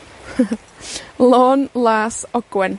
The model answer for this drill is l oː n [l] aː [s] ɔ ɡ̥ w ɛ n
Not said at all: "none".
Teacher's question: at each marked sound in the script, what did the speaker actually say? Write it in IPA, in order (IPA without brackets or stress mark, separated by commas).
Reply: l, s